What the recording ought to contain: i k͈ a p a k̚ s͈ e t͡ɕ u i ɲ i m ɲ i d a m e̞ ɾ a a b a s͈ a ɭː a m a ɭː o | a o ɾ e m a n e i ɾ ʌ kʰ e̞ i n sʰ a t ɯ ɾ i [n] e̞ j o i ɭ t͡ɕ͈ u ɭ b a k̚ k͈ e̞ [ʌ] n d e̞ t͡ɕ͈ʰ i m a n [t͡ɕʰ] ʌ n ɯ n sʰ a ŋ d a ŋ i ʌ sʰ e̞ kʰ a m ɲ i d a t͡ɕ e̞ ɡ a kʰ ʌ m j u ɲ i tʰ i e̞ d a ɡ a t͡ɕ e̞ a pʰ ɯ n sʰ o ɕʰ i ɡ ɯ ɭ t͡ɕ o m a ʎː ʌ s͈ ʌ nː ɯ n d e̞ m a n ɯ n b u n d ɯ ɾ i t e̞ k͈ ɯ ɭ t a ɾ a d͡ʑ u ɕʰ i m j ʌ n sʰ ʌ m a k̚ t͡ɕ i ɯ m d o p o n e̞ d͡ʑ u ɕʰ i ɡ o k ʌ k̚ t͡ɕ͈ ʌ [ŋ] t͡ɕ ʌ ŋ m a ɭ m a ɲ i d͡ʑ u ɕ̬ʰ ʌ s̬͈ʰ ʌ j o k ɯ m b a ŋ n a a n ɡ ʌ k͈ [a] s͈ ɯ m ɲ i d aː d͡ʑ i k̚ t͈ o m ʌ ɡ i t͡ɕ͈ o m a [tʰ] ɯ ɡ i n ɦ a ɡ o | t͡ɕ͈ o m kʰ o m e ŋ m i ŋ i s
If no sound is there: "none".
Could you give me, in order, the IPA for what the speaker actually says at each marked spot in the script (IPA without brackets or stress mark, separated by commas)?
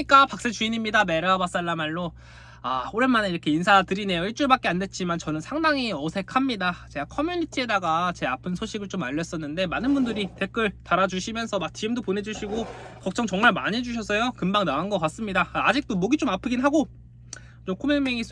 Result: n, a, t͡ɕ, ŋ, a, pʰ